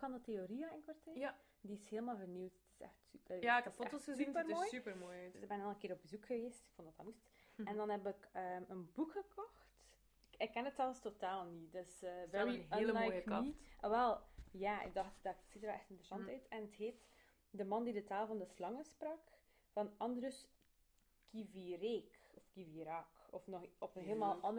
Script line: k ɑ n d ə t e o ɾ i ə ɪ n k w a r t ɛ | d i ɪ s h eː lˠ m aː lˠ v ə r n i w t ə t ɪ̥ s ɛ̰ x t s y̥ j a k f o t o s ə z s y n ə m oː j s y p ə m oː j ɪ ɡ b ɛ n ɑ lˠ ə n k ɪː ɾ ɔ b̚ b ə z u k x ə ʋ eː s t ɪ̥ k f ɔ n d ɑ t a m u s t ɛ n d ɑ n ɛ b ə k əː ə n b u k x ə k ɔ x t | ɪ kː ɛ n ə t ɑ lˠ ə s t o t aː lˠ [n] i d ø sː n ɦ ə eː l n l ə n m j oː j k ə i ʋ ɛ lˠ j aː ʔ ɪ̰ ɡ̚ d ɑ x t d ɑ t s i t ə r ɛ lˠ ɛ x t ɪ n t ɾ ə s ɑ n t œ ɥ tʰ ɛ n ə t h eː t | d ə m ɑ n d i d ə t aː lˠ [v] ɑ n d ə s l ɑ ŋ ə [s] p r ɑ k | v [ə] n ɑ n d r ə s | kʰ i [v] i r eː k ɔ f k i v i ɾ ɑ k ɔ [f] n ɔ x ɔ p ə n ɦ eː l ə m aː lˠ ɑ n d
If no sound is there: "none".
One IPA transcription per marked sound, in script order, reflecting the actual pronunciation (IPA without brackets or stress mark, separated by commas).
n, v, s, ɑ, v, f